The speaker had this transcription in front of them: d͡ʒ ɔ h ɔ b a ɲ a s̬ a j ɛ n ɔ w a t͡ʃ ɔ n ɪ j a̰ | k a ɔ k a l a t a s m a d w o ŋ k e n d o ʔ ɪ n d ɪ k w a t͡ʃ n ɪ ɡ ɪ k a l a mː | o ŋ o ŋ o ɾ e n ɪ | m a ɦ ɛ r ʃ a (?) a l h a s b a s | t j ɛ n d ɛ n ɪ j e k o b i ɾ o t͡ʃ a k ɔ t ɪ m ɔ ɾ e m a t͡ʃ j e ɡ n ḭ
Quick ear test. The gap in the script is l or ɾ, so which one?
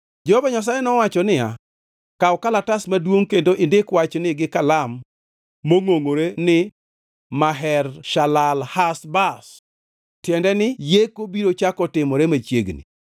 l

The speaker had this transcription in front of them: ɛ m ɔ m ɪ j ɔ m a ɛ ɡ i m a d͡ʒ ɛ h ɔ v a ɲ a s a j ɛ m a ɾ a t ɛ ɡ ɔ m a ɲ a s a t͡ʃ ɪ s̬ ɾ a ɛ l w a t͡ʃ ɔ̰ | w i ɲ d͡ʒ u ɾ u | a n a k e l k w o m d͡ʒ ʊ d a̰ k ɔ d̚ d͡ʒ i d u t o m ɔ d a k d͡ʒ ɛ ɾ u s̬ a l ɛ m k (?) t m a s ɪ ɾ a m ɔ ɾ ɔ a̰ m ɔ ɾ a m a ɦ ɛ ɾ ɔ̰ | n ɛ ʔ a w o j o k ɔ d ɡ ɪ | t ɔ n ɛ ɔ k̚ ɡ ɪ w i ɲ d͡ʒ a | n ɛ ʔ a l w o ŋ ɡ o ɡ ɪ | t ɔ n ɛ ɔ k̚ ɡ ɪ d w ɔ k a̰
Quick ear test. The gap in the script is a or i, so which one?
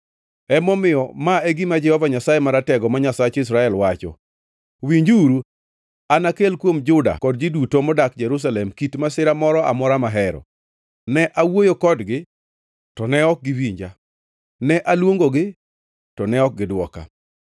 i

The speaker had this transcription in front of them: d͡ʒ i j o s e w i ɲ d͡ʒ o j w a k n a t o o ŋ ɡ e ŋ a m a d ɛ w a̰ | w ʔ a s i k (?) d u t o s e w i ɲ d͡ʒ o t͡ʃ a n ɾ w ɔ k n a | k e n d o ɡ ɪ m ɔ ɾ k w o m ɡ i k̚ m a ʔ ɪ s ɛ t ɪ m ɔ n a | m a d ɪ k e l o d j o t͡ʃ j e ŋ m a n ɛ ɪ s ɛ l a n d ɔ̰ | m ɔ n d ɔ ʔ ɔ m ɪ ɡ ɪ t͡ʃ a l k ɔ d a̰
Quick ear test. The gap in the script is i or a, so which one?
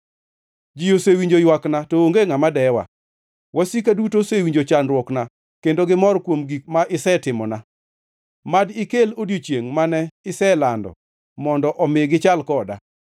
a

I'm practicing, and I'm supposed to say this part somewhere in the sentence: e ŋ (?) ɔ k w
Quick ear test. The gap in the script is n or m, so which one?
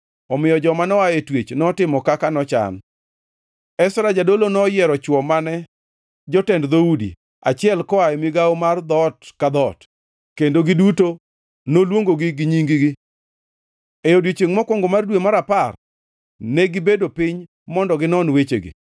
m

